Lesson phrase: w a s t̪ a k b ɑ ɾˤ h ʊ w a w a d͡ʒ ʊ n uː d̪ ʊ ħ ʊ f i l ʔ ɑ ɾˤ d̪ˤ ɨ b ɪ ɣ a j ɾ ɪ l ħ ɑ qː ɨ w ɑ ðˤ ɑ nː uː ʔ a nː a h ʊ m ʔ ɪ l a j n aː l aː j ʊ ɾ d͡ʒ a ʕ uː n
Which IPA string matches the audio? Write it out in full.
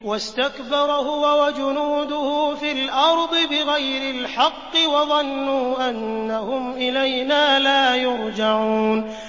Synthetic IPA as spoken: w a s t̪ a k b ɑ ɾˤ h ʊ w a w a d͡ʒ ʊ n uː d̪ ʊ h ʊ f i l ʔ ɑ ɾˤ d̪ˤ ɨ b ɪ ɣ a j ɾ ɪ l ħ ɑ qː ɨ w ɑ ðˤ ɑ nː uː ʔ a nː a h ʊ m ʔ ɪ l a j n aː l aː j ʊ ɾ d͡ʒ a ʕ uː n

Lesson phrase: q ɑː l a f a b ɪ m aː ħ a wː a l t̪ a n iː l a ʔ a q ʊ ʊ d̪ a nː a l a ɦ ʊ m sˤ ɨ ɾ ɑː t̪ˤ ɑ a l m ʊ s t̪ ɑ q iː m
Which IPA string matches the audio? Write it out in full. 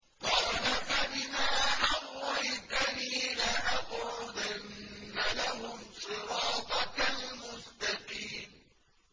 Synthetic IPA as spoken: q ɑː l a f a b ɪ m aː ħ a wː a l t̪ a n iː l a ʔ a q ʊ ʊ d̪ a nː a l a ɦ ʊ m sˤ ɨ ɾ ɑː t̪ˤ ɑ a l m ʊ s t̪ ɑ q iː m

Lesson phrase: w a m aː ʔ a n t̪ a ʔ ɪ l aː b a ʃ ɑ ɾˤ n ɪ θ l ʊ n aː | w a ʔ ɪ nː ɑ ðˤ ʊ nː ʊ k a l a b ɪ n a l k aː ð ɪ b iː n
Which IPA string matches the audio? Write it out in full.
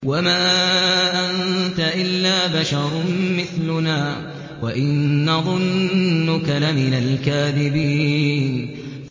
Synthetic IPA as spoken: w a m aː ʔ a n t̪ a ʔ ɪ lː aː b a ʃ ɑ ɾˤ m ɪ θ l ʊ n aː | w a ʔ ɪ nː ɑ ðˤ ʊ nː ʊ k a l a m ɪ n a l k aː ð ɪ b iː n

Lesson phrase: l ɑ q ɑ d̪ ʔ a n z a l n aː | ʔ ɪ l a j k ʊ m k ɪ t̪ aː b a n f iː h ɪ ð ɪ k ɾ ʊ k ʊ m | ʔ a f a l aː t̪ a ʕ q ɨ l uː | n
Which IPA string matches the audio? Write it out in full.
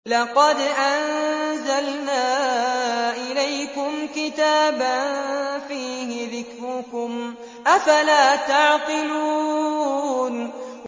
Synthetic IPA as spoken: l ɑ q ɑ d̪ ʔ a n z a l n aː | ʔ ɪ l a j k ʊ m k ɪ t̪ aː b a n f iː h ɪ ð ɪ k ɾ ʊ k ʊ m | ʔ a f a l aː t̪ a ʕ q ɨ l uː | n

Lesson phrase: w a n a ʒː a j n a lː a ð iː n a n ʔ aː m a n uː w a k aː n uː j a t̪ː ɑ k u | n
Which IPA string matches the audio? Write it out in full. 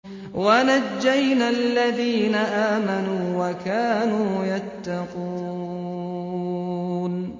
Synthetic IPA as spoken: w a n a d͡ʒː a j n a lː a ð iː n a ʔ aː m a n uː w a k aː n uː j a t̪ː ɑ q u | n

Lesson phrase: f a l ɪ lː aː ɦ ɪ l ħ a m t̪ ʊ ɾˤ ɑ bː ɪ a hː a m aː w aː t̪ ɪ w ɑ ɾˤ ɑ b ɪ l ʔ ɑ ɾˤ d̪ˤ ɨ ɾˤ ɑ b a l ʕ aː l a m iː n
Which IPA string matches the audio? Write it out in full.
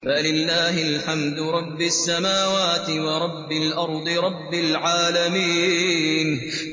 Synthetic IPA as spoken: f a l ɪ lː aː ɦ ɪ l ħ a m d̪ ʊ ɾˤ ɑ bː ɪ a sː a m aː w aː t̪ ɪ w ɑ ɾˤ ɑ bː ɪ l ʔ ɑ ɾˤ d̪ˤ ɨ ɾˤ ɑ bː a l ʕ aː l a m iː n

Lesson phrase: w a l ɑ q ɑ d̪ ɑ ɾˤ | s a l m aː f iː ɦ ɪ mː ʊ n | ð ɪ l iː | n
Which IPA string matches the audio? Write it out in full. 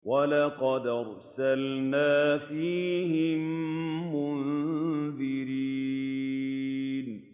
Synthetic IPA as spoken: w a l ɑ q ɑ d̪ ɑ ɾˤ | s a l n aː f iː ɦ ɪ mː ʊ n | ð ɪ ɾ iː | n

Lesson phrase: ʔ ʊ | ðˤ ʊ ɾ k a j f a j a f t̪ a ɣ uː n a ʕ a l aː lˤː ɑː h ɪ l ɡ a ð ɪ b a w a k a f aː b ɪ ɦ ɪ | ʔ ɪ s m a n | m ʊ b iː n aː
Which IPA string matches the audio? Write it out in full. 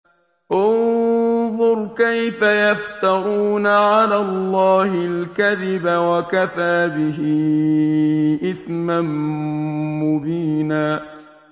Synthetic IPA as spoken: ʔ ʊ | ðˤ ʊ ɾ k a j f a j a f t̪ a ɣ uː n a ʕ a l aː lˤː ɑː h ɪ l k a ð ɪ b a w a k a f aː b ɪ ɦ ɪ | ʔ ɪ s m a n | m ʊ b iː n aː

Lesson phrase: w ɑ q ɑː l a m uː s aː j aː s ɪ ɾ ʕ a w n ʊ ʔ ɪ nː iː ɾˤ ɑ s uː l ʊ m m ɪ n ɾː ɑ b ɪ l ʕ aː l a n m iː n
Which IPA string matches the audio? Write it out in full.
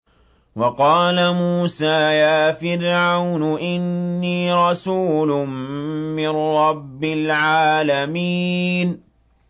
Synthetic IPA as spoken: w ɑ q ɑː l a m uː s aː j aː f ɪ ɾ ʕ a w n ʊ ʔ ɪ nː iː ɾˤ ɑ s uː l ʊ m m ɪ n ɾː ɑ bː ɪ l ʕ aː l a m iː n

